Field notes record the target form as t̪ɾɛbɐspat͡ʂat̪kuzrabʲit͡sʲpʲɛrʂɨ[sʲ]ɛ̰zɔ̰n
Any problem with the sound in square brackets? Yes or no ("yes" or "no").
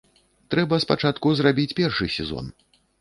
no